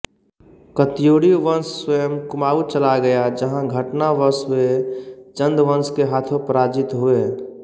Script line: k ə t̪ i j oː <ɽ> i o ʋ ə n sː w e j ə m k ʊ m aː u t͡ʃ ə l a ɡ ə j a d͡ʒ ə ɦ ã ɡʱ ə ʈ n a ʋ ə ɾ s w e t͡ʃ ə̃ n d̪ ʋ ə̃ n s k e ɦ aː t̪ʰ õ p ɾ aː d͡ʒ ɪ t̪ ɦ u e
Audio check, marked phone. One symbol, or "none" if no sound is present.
ɽ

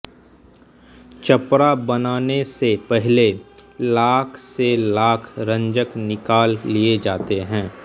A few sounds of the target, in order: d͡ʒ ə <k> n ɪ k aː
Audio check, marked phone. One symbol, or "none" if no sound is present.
k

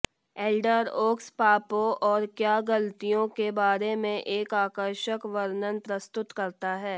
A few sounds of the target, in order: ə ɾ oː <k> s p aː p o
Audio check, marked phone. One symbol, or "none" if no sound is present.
k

